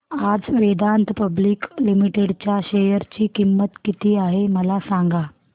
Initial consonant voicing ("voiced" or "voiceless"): voiced